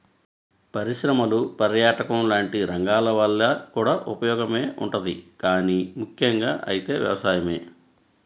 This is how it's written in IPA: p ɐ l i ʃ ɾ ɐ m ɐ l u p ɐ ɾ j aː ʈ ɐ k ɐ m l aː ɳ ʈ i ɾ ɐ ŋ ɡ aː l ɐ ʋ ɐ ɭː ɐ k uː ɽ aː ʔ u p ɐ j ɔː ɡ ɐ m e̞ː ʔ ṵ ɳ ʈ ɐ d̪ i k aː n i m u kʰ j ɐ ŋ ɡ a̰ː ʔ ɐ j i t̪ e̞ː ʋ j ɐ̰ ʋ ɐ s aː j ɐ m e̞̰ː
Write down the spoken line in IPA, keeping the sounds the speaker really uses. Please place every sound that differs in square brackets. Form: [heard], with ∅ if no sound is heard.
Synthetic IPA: p ɐ [ɾ] i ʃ ɾ ɐ m ɐ l u p ɐ ɾ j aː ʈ ɐ k ɐ m l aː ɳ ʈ i ɾ ɐ ŋ ɡ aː l ɐ ʋ ɐ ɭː ɐ k uː ɽ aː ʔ u p ɐ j ɔː ɡ ɐ m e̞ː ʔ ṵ ɳ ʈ ɐ d̪ i k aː n i m u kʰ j ɐ ŋ ɡ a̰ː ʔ ɐ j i t̪ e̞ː ʋ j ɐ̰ ʋ ɐ s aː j ɐ m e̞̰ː